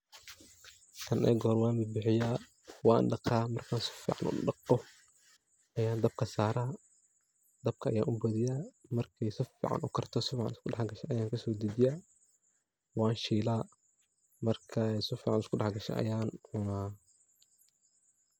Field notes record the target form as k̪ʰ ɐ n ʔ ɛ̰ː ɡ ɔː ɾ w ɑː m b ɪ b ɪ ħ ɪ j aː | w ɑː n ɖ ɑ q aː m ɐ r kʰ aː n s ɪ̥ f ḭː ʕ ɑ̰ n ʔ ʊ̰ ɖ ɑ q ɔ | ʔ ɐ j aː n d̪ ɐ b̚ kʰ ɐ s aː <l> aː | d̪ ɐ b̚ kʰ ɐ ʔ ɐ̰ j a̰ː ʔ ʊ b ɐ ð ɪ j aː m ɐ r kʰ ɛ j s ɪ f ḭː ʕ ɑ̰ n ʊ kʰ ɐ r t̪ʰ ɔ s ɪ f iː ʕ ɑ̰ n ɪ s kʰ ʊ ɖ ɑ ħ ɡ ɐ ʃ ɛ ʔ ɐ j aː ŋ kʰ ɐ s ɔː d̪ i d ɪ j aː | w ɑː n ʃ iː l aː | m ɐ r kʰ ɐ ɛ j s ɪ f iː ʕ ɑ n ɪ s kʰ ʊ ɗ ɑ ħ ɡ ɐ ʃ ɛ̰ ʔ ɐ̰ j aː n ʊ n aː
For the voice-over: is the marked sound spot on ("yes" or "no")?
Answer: no